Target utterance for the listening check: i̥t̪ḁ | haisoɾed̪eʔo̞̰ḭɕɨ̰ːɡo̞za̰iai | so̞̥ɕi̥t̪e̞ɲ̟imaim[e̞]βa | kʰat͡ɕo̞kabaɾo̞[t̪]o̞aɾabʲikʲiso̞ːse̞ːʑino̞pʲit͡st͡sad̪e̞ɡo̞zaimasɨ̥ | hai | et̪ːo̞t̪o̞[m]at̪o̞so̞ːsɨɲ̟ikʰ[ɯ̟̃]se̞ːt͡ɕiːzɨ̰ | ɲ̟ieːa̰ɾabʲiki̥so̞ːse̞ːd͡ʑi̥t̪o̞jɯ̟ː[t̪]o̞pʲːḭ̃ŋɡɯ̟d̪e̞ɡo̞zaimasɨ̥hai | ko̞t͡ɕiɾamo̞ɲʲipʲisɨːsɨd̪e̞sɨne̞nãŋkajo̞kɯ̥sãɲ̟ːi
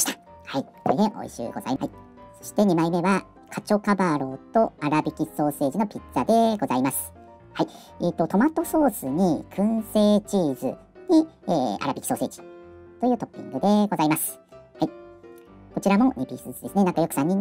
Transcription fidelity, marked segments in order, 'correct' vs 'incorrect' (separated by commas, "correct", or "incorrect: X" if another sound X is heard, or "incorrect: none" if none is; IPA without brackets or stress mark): correct, correct, correct, correct, correct